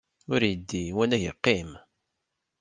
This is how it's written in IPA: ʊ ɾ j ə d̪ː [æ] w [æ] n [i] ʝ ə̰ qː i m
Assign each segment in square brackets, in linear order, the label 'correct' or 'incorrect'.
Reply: incorrect, correct, incorrect

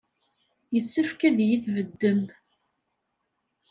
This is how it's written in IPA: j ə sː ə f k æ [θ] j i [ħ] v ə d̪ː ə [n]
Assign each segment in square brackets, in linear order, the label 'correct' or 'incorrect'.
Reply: incorrect, incorrect, incorrect

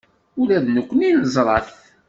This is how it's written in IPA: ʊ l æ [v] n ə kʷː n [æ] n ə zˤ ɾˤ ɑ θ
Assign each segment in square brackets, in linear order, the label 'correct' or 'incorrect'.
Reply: incorrect, incorrect

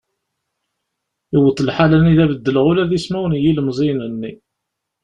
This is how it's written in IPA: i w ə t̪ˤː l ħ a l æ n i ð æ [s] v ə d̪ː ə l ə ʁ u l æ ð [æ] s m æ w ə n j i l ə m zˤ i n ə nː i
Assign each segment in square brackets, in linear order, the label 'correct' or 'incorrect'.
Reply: incorrect, incorrect

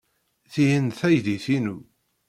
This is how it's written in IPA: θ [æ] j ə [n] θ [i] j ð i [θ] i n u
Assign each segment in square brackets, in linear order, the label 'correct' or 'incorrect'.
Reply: incorrect, correct, incorrect, correct

